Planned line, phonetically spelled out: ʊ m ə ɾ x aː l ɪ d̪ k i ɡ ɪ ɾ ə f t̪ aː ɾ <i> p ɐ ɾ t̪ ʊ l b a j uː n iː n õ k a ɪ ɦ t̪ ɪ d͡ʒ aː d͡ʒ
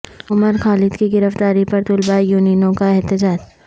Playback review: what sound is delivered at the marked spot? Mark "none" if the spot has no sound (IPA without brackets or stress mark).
i